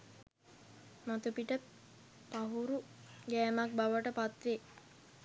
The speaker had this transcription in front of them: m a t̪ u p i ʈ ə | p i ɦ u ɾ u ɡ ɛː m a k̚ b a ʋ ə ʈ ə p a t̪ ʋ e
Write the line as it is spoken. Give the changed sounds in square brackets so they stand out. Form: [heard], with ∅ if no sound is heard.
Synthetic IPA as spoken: m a t̪ u p i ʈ ə | p [a] ɦ u ɾ u ɡ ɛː m a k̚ b a ʋ ə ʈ ə p a t̪ ʋ e

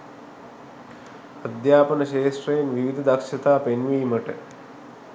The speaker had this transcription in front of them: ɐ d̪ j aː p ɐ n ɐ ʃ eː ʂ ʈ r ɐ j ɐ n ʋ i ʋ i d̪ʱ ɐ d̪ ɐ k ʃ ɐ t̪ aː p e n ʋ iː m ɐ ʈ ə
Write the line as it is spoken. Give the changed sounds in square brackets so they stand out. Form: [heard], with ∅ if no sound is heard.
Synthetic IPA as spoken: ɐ d̪ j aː p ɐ n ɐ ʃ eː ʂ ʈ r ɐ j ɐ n ʋ i ʋ i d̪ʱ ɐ d̪ ɐ k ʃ ɐ t̪ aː p e n ʋ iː m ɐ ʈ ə

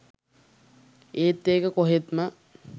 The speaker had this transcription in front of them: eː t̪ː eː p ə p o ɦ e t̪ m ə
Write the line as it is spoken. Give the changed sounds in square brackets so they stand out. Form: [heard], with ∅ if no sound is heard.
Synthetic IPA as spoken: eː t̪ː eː [k] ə [k] o ɦ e t̪ m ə

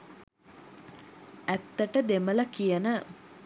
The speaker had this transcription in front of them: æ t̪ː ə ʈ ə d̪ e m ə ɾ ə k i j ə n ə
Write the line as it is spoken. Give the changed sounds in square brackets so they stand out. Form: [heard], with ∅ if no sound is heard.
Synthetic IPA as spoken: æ t̪ː ə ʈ ə d̪ e m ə [l] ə k i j ə n ə

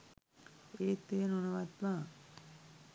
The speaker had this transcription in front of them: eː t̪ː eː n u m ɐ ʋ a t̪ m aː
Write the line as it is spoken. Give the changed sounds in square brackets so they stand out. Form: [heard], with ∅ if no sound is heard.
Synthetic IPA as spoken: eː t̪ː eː n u [n] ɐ ʋ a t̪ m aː

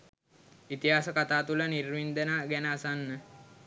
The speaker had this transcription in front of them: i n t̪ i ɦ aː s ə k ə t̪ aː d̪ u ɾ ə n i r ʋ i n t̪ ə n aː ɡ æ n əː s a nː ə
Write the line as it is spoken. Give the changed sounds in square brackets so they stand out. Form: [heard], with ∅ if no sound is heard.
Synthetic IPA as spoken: i [∅] t̪ i ɦ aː s ə k [a] t̪ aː [t̪] u [l] ə n i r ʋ i n [d̪] ə n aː ɡ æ n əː s a nː ə

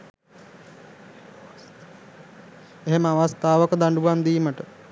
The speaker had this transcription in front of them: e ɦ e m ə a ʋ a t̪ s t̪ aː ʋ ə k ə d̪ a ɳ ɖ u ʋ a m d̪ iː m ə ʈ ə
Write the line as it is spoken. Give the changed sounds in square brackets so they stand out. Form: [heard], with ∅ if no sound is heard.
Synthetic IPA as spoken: e ɦ e m ə a ʋ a [∅] s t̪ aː ʋ ə k ə d̪ a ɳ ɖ u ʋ a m d̪ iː m ə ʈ ə

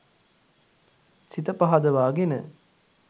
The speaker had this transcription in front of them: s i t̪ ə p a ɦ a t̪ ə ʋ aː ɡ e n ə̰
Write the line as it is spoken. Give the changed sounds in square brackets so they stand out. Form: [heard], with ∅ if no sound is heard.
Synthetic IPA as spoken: s i t̪ ə p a ɦ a [d̪] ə ʋ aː ɡ e n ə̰

